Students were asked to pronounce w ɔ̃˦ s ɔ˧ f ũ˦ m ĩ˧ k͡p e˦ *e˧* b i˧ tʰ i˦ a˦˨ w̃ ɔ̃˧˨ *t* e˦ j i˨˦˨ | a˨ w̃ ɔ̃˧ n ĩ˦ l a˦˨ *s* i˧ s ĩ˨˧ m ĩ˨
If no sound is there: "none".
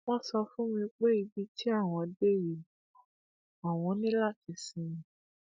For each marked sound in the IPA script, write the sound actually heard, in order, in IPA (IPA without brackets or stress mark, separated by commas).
i˧, d, t